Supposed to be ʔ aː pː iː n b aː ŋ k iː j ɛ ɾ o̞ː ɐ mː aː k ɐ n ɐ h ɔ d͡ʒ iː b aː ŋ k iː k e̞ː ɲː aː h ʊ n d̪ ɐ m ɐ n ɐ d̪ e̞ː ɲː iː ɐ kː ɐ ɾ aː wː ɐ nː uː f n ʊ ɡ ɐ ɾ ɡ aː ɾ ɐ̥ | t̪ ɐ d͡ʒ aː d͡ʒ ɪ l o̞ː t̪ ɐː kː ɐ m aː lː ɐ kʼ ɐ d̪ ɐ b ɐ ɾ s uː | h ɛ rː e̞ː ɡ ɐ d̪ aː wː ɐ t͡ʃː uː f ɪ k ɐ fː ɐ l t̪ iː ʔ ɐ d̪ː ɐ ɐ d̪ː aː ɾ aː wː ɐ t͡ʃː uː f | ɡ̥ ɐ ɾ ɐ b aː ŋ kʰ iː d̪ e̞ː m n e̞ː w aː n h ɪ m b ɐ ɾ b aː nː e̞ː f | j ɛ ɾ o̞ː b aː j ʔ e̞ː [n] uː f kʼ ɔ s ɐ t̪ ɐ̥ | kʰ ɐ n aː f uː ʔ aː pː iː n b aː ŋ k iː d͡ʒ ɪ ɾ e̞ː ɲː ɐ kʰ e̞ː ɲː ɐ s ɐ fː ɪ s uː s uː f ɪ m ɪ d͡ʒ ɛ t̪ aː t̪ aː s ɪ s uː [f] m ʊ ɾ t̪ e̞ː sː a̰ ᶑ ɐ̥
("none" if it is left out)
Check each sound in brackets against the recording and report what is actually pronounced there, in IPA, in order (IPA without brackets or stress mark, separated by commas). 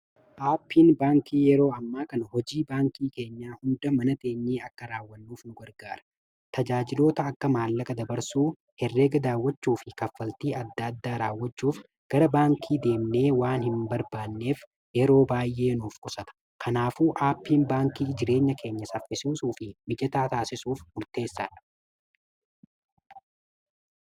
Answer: n, f